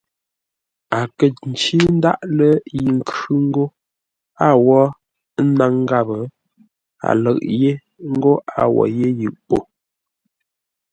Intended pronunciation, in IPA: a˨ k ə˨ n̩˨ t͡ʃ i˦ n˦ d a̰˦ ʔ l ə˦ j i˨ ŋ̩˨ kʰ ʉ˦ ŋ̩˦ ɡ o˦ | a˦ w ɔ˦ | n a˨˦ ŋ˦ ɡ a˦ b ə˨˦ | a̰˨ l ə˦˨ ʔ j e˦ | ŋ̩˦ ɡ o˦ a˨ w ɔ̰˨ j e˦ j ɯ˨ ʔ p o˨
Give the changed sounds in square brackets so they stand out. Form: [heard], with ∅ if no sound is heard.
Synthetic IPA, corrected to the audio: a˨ k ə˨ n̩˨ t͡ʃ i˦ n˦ d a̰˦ ʔ l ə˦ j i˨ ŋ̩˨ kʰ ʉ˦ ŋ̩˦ ɡ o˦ | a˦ w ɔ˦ | n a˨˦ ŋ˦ ɡ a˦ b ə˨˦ | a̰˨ l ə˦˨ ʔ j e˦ | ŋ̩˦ ɡ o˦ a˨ w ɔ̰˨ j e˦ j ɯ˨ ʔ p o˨